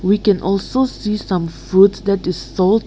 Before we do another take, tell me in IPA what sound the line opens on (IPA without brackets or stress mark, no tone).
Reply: w